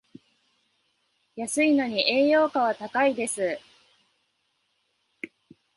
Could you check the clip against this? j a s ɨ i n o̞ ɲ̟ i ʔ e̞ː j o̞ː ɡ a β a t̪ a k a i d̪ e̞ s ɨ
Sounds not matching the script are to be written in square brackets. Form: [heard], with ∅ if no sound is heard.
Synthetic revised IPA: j a s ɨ i n o̞ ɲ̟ i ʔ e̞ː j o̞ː [k] a β a t̪ a k a i d̪ e̞ s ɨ